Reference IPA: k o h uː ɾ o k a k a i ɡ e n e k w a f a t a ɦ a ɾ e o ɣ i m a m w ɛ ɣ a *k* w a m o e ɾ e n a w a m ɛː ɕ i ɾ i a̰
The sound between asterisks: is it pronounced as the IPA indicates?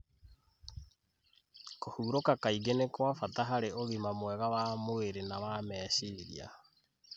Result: no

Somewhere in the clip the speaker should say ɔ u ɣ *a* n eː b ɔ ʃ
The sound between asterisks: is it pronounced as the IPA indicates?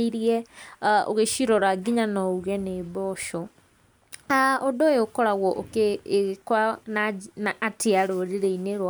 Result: no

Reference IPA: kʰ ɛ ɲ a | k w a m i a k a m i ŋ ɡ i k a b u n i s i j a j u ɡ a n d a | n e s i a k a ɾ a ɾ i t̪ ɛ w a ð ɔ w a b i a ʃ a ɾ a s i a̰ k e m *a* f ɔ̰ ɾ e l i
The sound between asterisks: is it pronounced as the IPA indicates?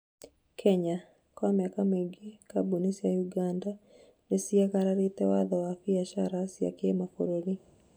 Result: yes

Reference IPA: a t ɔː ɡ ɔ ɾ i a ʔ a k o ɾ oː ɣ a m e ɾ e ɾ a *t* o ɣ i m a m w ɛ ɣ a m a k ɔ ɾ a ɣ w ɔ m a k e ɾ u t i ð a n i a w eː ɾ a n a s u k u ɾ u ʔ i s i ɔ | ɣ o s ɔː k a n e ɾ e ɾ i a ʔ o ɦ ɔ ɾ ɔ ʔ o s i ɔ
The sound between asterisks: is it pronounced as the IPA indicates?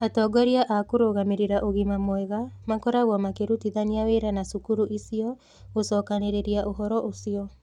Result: no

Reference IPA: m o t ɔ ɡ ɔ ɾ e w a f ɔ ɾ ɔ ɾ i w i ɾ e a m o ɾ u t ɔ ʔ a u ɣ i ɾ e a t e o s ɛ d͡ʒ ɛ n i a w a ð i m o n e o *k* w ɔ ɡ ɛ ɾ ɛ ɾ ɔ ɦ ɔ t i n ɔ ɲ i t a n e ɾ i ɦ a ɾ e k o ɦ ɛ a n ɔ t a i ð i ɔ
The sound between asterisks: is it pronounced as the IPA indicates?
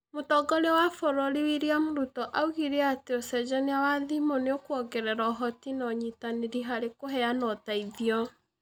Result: yes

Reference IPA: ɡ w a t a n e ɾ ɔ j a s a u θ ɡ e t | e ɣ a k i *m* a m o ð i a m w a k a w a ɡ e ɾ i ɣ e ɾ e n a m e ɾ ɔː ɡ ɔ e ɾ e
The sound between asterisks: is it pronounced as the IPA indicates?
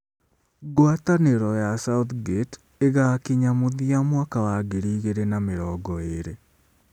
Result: no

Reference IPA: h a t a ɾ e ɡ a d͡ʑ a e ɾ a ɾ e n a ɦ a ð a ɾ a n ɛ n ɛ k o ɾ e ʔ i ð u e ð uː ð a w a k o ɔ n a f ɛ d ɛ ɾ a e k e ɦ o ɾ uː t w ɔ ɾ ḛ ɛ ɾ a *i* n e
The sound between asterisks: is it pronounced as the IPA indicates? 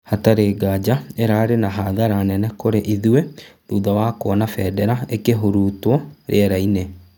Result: yes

